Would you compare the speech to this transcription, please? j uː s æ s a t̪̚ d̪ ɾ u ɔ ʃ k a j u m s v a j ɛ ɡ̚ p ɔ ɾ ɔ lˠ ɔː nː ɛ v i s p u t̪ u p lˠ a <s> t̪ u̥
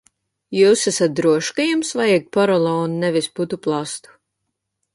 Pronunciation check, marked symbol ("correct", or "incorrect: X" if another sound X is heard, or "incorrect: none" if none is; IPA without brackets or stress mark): correct